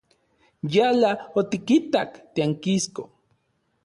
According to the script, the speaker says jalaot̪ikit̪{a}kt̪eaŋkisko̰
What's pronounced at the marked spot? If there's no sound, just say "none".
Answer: a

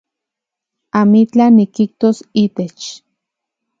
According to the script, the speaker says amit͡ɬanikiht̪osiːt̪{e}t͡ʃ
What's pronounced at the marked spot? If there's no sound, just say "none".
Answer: e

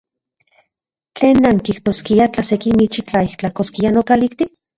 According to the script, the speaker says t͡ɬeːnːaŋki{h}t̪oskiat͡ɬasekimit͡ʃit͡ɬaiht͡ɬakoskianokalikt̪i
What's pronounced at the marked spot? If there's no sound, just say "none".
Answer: h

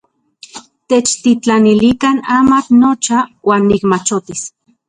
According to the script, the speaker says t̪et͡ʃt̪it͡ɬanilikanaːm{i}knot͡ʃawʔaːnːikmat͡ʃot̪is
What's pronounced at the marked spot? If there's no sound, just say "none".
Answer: a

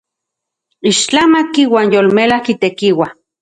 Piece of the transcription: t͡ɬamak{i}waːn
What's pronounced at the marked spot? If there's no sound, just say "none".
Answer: i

